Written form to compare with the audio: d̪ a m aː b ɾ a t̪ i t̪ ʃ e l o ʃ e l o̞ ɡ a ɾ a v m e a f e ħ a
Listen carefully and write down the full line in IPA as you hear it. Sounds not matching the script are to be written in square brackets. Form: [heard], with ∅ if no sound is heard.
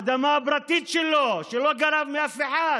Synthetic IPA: d̪ a m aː b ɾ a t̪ i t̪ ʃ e l o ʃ e l o̞ ɡ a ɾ a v m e a f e ħ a